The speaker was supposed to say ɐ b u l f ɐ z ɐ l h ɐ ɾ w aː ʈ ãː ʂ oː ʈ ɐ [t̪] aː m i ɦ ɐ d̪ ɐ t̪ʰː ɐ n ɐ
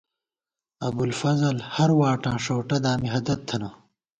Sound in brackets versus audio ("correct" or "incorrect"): incorrect